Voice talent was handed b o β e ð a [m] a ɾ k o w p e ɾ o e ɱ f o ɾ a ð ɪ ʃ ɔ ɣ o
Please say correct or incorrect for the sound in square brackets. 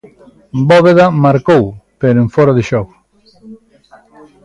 correct